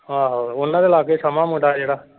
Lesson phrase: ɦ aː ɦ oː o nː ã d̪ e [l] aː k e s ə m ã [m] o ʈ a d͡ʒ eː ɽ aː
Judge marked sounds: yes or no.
yes, yes

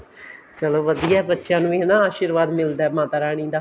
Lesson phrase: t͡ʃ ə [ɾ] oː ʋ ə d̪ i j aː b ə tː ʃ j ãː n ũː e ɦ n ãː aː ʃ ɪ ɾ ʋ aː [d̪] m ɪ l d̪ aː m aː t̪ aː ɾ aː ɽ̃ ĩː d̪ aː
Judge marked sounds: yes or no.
no, yes

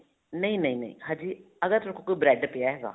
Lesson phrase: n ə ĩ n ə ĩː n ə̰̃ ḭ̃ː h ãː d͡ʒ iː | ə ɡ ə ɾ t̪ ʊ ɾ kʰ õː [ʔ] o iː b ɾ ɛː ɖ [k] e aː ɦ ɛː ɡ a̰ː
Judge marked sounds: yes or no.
no, no

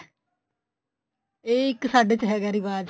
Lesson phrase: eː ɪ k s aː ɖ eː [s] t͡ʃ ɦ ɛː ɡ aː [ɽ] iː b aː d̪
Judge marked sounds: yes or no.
no, no

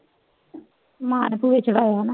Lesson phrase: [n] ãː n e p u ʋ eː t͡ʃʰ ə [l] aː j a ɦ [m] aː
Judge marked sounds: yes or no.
no, no, no

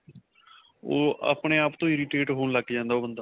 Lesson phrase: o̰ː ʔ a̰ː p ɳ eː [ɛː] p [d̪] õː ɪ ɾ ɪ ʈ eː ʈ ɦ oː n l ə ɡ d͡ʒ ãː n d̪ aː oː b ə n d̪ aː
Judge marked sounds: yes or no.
no, no

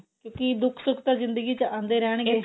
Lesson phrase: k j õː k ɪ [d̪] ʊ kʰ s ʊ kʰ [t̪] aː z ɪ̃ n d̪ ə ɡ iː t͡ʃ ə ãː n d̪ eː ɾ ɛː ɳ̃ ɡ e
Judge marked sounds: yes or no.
yes, yes

